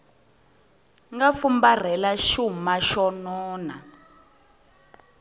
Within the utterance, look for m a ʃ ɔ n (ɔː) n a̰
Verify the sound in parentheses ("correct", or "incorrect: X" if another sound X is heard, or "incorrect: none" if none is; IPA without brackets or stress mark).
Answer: correct